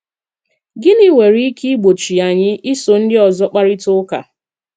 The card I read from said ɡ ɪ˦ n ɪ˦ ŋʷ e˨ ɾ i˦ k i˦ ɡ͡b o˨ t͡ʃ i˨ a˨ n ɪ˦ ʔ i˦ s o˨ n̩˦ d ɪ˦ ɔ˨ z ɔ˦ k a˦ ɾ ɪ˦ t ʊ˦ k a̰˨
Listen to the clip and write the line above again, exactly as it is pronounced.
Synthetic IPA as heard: ɡ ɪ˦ n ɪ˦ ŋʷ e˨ ɾ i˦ k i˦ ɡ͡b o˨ t͡ʃ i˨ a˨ ɲ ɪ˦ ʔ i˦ s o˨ n̩˦ d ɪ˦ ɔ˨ z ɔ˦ k͡p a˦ ɾ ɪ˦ t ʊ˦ k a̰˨